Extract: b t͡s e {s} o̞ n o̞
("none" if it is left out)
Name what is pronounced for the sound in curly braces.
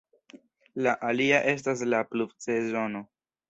z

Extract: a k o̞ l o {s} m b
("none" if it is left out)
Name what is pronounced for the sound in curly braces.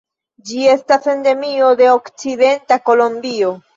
none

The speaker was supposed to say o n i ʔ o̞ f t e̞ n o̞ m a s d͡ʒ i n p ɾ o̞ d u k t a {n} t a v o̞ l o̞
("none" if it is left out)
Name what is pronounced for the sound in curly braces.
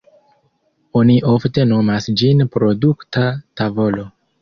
none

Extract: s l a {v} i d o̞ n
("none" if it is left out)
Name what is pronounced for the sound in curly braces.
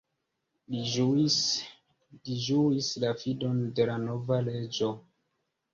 f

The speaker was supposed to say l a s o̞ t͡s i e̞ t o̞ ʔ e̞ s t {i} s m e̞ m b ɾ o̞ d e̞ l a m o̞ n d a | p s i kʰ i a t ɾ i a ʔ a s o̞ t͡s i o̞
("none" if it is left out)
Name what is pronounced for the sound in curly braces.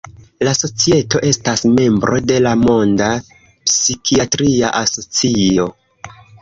a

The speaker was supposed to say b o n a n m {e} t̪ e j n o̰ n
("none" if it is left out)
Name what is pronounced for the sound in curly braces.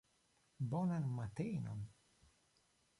a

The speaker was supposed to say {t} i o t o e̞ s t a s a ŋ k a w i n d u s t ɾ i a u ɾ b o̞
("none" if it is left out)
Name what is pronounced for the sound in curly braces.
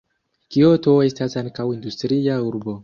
k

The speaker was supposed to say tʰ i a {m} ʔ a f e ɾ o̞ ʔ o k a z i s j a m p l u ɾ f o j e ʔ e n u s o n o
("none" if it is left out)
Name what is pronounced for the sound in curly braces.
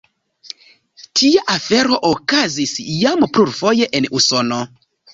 none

